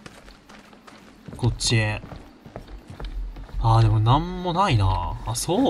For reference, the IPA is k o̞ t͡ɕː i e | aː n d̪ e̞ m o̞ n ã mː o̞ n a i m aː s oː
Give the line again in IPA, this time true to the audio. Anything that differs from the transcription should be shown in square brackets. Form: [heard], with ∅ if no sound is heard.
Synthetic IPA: k o̞ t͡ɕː i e | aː [∅] d̪ e̞ m o̞ n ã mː o̞ n a i [n] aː s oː

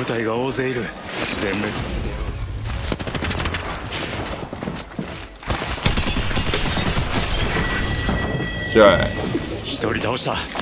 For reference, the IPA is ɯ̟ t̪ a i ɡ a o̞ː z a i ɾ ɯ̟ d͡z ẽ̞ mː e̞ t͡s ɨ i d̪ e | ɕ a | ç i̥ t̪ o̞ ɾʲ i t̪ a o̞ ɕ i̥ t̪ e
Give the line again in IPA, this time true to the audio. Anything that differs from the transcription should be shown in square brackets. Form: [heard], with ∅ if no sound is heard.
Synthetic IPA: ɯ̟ t̪ a i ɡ a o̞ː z [e] i ɾ ɯ̟ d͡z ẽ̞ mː e̞ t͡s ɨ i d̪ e | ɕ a | ç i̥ t̪ o̞ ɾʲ i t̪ a o̞ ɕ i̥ t̪ [a]

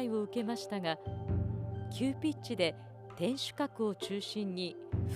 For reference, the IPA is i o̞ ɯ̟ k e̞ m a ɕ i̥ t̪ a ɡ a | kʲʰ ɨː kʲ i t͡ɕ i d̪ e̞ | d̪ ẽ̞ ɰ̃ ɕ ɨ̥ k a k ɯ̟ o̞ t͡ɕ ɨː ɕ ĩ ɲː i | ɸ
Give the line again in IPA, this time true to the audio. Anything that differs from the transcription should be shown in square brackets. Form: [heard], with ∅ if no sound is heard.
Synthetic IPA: i o̞ ɯ̟ k e̞ m a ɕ i̥ t̪ a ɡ a | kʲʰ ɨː [pʲ] i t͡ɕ i d̪ e̞ | [t̪] ẽ̞ ɰ̃ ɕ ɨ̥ k a k ɯ̟ o̞ t͡ɕ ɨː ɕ ĩ ɲː i | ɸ

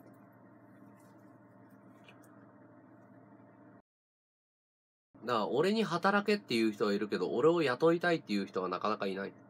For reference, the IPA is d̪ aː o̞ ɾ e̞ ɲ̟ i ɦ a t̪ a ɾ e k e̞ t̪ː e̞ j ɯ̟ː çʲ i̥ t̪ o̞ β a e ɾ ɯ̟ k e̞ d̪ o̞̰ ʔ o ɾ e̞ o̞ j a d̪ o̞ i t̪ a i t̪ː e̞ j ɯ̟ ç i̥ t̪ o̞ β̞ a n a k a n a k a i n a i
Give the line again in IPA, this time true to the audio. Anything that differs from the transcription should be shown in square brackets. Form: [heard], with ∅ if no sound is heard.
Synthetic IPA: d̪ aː o̞ ɾ e̞ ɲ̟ i ɦ a t̪ a ɾ [a] k e̞ t̪ː e̞ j ɯ̟ː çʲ i̥ t̪ o̞ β a [i] ɾ ɯ̟ k e̞ d̪ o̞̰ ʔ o ɾ e̞ o̞ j a [t̪] o̞ i t̪ a i t̪ː e̞ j ɯ̟ ç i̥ t̪ o̞ β̞ a n a k a n a k a i n a i

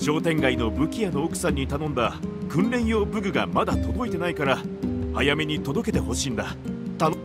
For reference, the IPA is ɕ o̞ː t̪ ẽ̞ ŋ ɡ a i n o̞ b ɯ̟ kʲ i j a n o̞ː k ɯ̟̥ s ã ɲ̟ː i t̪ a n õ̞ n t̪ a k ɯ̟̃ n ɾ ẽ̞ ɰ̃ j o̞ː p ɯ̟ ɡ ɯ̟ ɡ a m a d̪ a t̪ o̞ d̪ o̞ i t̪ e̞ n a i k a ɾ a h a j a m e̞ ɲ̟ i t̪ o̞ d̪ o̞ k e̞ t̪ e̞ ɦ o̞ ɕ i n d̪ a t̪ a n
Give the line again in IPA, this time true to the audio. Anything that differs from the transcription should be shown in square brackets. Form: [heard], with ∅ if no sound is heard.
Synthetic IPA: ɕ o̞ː t̪ ẽ̞ ŋ ɡ a i n o̞ b ɯ̟ kʲ i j a n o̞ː k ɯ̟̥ s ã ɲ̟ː i t̪ a n õ̞ n [d̪] a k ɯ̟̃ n ɾ ẽ̞ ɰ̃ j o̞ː [b] ɯ̟ ɡ ɯ̟ ɡ a m a d̪ a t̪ o̞ d̪ o̞ i t̪ e̞ n a i k a ɾ a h a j a m e̞ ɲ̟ i t̪ o̞ d̪ o̞ k e̞ t̪ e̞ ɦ o̞ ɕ [iː] n d̪ a t̪ a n

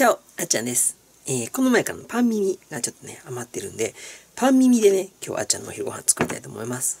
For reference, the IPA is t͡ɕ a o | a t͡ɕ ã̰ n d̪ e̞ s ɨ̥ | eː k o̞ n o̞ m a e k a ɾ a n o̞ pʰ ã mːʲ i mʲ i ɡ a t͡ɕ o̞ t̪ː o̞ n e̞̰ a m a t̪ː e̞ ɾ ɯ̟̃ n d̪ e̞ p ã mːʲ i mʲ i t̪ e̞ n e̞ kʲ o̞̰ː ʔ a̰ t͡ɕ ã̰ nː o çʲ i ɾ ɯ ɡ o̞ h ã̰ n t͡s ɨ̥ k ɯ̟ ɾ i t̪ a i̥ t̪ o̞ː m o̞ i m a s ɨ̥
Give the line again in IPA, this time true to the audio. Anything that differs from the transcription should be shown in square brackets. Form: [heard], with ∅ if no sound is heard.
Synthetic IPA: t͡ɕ a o | a t͡ɕ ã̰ n d̪ e̞ s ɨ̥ | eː k o̞ n o̞ m a e k a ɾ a n o̞ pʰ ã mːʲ i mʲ i ɡ a t͡ɕ o̞ t̪ː o̞ n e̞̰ a m a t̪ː e̞ ɾ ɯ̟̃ n d̪ e̞ p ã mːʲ i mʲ i [d̪] e̞ n e̞ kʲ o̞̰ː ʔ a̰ t͡ɕ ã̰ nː o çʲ i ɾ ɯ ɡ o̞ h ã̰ n t͡s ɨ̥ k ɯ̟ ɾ i t̪ a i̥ t̪ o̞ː m o̞ i m a s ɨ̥

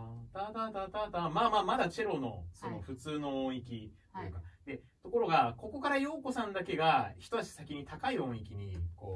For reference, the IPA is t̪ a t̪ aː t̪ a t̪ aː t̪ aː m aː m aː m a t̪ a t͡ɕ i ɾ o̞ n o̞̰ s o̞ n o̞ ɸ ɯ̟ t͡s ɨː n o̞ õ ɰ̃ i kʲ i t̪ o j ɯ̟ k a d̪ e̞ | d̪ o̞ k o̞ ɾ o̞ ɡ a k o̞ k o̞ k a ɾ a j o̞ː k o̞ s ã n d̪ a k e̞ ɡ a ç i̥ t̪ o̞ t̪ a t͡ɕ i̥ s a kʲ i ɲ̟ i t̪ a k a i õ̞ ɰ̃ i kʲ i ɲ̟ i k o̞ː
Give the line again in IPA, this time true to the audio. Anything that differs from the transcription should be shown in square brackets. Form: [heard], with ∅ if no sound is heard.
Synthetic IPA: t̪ a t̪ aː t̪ a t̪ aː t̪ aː m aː m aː m a [d̪] a t͡ɕ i ɾ o̞ n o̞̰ s o̞ n o̞ ɸ ɯ̟ t͡s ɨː n o̞ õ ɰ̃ i kʲ i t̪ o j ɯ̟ k a d̪ e̞ | [t̪] o̞ k o̞ ɾ o̞ ɡ a k o̞ k o̞ k a ɾ a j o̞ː k o̞ s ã n d̪ a k e̞ ɡ a ç i̥ t̪ o̞ t̪ a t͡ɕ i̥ s a kʲ i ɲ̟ i t̪ a k a i õ̞ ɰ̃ i kʲ i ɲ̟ i k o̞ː

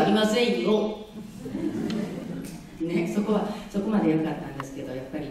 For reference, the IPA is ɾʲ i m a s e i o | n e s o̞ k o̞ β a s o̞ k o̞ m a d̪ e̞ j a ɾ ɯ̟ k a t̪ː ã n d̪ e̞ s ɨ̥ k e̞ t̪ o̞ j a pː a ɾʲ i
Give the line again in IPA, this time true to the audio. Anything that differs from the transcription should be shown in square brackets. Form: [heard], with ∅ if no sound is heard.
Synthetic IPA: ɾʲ i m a s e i o | n e s o̞ k o̞ β a s o̞ k o̞ m a d̪ e̞ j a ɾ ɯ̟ k a t̪ː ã n d̪ e̞ s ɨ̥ k e̞ [d̪] o̞ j a pː a ɾʲ i

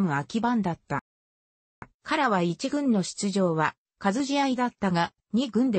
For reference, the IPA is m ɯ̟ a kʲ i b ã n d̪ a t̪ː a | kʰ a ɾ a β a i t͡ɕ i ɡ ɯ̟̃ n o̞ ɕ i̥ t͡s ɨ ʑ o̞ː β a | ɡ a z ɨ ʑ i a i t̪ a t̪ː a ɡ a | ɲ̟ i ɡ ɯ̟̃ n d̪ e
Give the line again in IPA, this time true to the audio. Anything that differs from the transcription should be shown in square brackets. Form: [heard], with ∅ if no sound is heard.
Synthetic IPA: m ɯ̟ a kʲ i b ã n d̪ a t̪ː a | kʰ a ɾ a β a i t͡ɕ i ɡ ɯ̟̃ [nː] o̞ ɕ i̥ t͡s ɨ ʑ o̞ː β a | [k] a z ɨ ʑ i a i [d̪] a t̪ː a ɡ a | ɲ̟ i ɡ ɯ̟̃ n d̪ e

